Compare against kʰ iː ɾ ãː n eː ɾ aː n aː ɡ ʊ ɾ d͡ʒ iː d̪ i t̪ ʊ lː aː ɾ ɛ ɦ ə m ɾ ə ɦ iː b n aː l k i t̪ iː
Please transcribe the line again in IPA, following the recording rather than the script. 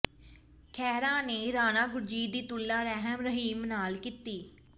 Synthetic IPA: kʰ ɛː ɾ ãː n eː ɾ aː n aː ɡ ʊ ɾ d͡ʒ iː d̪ iː t̪ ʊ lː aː ɾ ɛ ɦ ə m ɾ ə ɦ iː m n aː l k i t̪ iː